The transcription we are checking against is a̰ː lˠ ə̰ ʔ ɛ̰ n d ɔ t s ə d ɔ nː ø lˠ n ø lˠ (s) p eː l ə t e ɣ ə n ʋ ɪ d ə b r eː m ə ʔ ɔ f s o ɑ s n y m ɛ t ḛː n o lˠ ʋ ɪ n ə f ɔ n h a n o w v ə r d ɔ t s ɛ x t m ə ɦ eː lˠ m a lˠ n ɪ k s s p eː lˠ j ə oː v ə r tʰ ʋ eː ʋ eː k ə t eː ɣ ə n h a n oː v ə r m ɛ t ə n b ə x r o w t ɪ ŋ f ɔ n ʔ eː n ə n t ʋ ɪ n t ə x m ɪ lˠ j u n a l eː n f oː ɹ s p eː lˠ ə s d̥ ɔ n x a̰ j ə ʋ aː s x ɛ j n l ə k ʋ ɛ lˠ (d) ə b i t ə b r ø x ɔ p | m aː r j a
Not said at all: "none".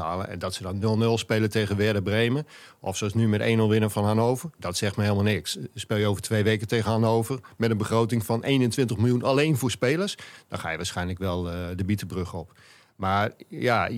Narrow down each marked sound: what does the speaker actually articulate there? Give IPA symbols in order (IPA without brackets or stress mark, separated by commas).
s, d